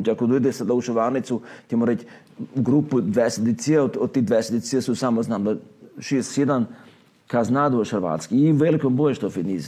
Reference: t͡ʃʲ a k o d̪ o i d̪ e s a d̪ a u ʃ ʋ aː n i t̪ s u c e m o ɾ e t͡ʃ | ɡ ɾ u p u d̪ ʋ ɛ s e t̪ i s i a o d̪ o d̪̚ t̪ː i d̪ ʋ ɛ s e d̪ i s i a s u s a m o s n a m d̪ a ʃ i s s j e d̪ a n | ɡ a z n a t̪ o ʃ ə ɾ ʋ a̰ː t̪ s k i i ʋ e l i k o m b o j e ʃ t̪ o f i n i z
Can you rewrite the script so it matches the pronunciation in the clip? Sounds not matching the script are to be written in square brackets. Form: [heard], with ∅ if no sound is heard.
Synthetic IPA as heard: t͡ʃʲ a k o d̪ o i d̪ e s a d̪ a u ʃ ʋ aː n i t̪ s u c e m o ɾ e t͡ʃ | ɡ ɾ u p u d̪ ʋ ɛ s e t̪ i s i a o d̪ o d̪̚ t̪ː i d̪ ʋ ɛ s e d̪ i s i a s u s a m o [z] n a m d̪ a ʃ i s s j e d̪ a n | [k] a z n a [d̪] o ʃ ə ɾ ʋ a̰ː t̪ s k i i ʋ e l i k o m b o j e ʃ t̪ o f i n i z